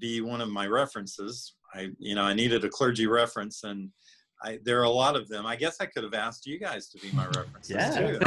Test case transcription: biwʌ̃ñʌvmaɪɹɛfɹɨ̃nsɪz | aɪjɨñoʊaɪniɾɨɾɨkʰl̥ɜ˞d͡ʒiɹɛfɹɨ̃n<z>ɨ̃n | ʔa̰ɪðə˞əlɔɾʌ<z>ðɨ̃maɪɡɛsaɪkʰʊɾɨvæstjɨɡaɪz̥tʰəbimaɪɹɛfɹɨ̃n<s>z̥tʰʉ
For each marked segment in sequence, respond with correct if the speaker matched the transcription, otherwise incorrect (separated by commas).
incorrect, incorrect, correct